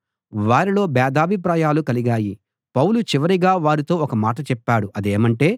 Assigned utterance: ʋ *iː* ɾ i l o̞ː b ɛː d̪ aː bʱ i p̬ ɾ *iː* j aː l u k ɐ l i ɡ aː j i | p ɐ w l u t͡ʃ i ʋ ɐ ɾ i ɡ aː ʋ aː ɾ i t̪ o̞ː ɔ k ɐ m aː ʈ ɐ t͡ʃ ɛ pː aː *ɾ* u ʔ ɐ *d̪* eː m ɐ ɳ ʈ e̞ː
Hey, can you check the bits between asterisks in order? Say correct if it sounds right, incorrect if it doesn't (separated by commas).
incorrect, incorrect, incorrect, correct